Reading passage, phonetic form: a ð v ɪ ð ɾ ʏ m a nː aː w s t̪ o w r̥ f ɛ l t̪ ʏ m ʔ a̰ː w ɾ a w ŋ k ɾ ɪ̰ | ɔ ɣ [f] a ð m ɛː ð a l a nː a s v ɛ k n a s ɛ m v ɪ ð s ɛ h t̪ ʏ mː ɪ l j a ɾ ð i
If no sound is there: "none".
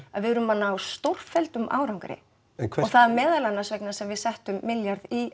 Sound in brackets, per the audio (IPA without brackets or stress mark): θ